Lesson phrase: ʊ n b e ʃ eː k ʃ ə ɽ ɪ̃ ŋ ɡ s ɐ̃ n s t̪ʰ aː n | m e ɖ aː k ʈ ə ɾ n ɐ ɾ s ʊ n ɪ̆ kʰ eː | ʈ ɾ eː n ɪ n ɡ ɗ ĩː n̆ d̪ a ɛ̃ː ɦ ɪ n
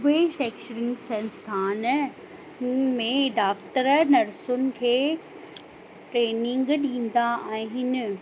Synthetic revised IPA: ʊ b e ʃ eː k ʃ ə ɾ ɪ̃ ŋ ɡ s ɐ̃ n s t̪ʰ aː n | m ẽ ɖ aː k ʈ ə ɾ n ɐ ɾ s ʊ n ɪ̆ kʰ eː | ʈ ɾ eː n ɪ ŋ ɡ ɗ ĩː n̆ d̪ a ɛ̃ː ɦ ɪ n